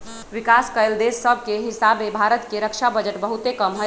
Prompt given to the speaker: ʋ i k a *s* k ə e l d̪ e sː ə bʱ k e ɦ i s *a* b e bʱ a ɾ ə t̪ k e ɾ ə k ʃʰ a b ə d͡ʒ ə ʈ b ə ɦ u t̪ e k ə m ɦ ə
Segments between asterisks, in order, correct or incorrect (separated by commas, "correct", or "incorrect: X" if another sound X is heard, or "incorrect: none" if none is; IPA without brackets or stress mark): correct, correct